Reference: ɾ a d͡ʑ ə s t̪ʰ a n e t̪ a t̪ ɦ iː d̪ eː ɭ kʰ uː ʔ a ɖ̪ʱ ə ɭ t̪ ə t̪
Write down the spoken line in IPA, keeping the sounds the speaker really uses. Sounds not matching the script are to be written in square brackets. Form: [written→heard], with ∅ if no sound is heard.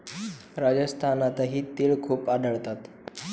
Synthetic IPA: ɾ a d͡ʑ ə s t̪ʰ a n [e→a] t̪ a [t̪→∅] ɦ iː [d̪→t̪] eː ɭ kʰ uː [ʔ→p] a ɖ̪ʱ ə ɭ t̪ [ə→a] t̪